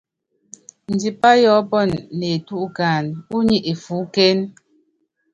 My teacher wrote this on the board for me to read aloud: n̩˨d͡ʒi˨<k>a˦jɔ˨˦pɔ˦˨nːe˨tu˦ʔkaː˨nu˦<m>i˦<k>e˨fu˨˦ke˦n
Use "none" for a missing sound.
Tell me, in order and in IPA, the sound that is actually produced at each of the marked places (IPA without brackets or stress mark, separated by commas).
p, ɲ, ʔ